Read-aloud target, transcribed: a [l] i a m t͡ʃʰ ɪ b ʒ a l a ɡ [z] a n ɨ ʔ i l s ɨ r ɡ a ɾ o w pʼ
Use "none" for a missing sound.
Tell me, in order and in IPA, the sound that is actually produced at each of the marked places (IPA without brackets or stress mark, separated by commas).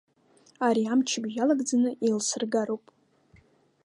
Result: ɾ, d͡z